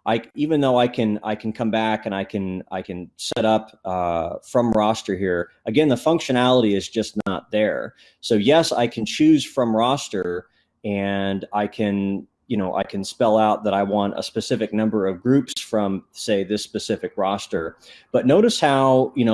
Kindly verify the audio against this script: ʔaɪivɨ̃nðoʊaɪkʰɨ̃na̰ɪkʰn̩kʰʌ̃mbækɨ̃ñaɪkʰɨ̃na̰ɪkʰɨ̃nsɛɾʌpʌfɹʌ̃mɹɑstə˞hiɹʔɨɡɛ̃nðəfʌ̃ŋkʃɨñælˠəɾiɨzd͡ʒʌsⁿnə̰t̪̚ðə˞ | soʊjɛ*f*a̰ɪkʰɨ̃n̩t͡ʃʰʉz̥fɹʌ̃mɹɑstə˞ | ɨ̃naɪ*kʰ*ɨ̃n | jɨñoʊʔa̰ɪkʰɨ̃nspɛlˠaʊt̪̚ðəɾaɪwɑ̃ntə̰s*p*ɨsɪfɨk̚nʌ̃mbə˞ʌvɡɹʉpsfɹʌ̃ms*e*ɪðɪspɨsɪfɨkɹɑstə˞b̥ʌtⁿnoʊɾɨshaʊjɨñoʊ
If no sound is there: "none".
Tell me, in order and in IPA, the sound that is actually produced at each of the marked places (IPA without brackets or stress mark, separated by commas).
s, kʰ, p, e